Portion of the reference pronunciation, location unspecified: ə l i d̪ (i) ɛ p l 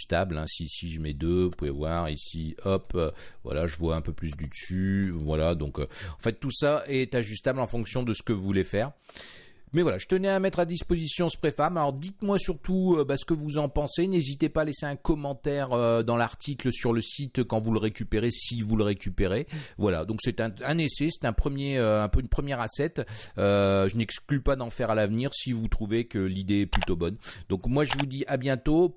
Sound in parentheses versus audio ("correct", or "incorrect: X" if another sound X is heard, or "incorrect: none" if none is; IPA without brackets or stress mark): incorrect: e